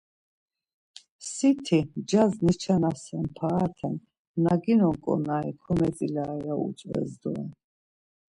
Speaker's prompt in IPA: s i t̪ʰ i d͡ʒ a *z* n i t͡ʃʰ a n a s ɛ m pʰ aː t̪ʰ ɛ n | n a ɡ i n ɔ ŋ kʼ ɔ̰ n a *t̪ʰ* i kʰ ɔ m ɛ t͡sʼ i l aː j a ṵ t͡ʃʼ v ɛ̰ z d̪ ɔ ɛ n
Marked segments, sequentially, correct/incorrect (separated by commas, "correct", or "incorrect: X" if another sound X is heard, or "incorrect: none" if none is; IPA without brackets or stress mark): correct, incorrect: none